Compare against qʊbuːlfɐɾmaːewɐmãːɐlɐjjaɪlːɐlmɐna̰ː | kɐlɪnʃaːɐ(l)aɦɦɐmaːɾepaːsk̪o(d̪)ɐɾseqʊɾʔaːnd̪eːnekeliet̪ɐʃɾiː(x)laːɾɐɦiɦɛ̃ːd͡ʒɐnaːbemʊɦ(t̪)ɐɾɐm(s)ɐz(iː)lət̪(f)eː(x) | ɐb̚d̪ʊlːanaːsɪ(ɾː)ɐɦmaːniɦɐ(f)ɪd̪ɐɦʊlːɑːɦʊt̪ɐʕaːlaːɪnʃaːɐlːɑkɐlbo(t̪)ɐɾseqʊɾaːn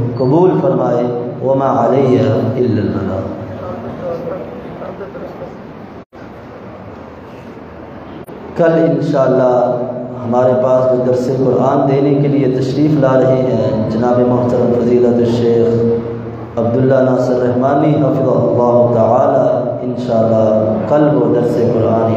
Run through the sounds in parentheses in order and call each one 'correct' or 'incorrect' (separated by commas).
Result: incorrect, correct, incorrect, correct, incorrect, correct, incorrect, correct, correct, correct, incorrect